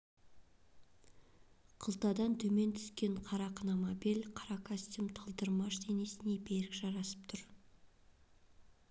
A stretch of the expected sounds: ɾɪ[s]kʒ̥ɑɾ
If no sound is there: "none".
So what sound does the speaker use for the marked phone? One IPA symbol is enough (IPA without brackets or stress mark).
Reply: none